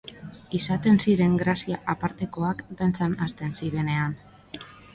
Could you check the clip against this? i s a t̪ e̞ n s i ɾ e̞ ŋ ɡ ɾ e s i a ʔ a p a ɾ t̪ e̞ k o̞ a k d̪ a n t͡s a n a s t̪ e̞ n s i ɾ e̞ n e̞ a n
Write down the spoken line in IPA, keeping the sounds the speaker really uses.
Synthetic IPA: i s a t̪ e̞ n s i ɾ e̞ ŋ ɡ ɾ a s i a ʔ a p a ɾ t̪ e̞ k o̞ a k d̪ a n t͡s a n a s t̪ e̞ n s i ɾ e̞ n e̞ a n